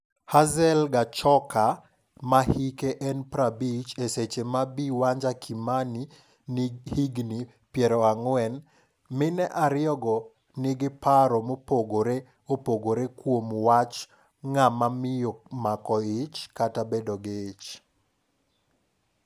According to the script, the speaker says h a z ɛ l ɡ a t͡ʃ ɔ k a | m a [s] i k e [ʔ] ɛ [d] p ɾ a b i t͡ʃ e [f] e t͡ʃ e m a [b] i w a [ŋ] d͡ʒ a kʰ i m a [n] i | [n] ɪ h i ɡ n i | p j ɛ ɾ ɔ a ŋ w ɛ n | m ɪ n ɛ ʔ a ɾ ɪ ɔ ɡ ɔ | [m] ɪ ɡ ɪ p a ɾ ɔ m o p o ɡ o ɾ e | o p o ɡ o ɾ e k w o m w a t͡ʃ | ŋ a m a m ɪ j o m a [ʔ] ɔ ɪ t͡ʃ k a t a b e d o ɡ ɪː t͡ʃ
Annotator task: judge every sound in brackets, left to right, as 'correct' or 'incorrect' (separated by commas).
incorrect, correct, incorrect, incorrect, correct, incorrect, correct, correct, incorrect, incorrect